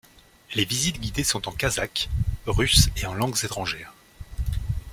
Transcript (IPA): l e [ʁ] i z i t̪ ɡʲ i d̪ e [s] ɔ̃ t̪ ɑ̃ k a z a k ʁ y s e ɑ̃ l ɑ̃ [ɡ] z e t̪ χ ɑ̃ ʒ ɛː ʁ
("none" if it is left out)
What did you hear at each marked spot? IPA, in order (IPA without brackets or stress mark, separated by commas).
v, s, ɡ